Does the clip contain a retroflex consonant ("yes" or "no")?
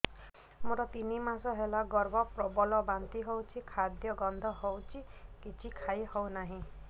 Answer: no